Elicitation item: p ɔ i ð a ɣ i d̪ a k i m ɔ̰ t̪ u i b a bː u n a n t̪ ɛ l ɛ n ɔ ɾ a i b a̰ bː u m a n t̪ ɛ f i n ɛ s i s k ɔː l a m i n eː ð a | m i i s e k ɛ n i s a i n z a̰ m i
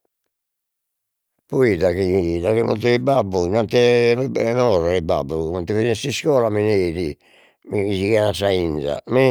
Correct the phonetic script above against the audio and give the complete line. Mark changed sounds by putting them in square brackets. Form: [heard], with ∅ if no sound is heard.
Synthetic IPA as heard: p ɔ i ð a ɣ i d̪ a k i m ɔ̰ t̪ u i b a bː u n a n t̪ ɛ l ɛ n ɔ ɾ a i b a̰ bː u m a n t̪ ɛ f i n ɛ s i s k ɔː l a m i n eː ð [i] | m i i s [i] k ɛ n [a] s a i n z a̰ m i